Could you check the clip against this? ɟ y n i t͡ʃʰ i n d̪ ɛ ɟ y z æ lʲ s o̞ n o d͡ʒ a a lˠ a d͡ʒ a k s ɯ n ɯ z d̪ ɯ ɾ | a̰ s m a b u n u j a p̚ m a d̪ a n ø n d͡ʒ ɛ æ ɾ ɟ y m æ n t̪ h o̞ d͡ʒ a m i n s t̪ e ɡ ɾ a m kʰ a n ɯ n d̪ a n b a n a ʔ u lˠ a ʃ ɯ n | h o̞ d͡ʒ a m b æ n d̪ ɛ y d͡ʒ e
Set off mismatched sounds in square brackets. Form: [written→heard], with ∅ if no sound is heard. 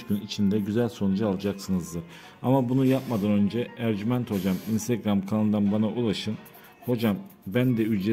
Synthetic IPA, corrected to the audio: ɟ y n i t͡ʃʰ i n d̪ ɛ ɟ y z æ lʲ s o̞ n [o→u] d͡ʒ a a lˠ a d͡ʒ a k s ɯ n ɯ z d̪ ɯ ɾ | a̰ [s→∅] m a b u n u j a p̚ m a d̪ a n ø n d͡ʒ ɛ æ ɾ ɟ y m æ n t̪ h o̞ d͡ʒ a m i n s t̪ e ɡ ɾ a m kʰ a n ɯ n d̪ a n b a n a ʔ u lˠ a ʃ ɯ n | h o̞ d͡ʒ a m b æ n d̪ ɛ y d͡ʒ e